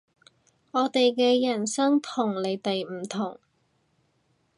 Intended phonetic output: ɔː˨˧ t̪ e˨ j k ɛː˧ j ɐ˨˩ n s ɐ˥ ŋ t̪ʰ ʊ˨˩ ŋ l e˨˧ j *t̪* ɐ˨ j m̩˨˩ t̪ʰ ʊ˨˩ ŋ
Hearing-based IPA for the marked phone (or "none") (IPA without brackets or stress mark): t̪